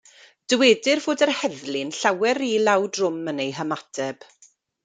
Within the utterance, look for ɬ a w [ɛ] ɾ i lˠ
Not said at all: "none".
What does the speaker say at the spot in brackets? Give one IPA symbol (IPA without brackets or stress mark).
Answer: ɛ